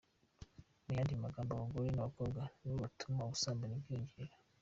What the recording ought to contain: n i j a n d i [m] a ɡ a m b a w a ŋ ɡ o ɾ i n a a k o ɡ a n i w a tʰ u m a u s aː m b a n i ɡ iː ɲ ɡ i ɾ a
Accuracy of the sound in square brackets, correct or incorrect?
correct